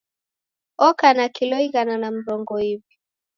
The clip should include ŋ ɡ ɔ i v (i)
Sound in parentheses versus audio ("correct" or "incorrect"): correct